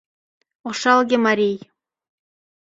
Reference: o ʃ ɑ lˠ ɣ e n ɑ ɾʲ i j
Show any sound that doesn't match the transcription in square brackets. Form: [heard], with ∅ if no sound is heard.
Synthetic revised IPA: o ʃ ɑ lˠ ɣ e [m] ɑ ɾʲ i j